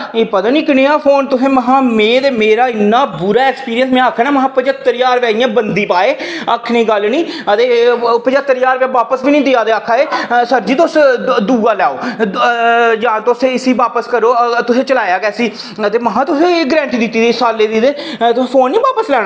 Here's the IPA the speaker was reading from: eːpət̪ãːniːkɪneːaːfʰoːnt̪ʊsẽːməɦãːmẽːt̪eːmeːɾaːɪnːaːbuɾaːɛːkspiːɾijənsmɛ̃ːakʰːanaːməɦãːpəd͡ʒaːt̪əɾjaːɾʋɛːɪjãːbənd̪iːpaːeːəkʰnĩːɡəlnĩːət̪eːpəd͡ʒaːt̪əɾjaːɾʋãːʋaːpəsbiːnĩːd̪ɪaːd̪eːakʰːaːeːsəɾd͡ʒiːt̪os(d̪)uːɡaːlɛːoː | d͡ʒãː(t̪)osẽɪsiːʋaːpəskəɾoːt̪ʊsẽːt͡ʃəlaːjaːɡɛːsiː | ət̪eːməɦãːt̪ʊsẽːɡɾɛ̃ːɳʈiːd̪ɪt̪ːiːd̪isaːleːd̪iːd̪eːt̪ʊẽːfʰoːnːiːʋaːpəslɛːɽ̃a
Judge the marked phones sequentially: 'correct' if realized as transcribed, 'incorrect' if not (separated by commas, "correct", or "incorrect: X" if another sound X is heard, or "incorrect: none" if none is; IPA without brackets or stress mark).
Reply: correct, correct